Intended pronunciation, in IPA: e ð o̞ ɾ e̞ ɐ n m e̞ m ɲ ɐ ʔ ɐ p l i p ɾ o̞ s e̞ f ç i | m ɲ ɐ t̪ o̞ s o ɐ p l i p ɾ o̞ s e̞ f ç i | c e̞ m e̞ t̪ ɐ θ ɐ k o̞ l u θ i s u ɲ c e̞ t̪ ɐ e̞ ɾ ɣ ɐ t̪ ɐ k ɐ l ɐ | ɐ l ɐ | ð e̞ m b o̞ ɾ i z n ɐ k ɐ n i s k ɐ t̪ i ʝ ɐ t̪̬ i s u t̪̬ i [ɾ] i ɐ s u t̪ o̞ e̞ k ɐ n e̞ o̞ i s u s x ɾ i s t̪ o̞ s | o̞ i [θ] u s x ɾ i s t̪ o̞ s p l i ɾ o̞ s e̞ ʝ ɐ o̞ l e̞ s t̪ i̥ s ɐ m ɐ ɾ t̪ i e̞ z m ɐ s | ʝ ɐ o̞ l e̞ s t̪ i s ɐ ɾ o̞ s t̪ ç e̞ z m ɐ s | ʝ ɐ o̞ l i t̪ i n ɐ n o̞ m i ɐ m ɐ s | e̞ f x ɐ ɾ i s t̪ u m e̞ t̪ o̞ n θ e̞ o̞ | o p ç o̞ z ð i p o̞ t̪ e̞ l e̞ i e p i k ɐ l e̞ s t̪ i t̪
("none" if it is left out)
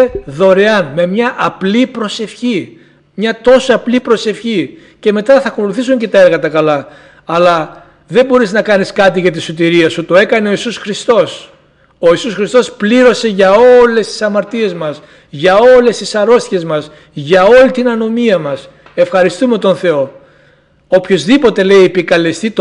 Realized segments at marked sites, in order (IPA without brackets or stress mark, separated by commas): ɾ, s